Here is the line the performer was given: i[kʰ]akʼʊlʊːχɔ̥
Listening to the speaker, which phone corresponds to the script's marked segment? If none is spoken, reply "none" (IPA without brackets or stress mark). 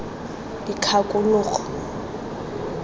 kʰ